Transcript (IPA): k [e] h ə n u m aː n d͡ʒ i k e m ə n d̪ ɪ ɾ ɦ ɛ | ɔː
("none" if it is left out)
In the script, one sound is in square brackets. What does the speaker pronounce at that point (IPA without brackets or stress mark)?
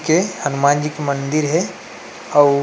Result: e